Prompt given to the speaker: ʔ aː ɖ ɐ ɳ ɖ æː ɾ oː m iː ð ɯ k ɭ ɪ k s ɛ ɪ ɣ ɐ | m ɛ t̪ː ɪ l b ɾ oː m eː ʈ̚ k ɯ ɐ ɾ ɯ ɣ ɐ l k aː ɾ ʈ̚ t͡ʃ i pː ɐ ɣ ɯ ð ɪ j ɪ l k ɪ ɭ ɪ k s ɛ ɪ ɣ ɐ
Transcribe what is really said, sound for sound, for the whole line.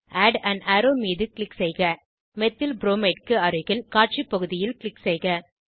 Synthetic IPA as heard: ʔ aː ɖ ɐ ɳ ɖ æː ɾ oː m iː ð ɯ k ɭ ɪ k s ɛ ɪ ɣ ɐ | m ɛ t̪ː ɪ l b ɾ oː m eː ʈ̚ k ɯ ɐ ɾ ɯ ɣ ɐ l k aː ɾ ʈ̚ t͡ʃ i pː ɐ ɣ ɯ ð ɪ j ɪ l k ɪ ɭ ɪ k s ɛ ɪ ɣ ɐ